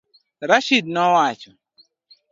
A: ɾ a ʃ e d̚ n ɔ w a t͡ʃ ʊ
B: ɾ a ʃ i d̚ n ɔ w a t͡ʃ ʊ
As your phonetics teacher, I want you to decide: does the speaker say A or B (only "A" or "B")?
B